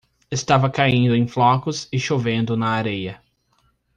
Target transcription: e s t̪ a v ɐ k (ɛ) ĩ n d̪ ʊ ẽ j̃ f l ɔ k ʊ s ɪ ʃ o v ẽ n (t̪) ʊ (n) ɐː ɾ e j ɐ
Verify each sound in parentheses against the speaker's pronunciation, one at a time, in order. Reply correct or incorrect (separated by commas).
incorrect, incorrect, correct